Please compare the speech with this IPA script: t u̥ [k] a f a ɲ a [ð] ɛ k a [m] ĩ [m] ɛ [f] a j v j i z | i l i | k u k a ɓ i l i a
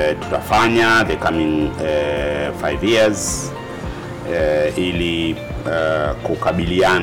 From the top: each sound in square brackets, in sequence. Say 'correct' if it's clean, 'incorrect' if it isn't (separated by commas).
incorrect, correct, correct, incorrect, correct